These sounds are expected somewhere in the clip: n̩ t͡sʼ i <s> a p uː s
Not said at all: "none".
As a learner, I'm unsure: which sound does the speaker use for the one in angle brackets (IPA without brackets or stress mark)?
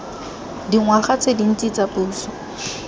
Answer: t͡s